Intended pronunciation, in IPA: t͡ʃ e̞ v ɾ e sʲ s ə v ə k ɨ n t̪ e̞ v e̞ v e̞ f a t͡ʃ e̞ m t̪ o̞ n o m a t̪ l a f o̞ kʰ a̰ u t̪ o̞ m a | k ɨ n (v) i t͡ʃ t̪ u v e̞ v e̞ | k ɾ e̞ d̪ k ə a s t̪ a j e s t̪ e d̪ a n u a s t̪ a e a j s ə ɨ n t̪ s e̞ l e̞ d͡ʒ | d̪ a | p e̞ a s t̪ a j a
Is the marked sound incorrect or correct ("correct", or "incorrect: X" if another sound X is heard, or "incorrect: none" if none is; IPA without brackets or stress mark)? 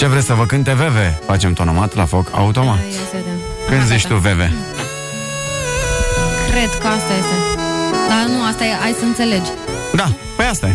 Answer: incorrect: z